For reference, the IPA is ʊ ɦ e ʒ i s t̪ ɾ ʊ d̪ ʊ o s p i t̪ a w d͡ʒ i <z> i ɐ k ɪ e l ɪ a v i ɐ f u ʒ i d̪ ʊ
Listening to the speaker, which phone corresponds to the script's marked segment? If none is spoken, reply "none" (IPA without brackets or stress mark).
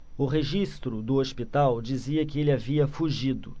z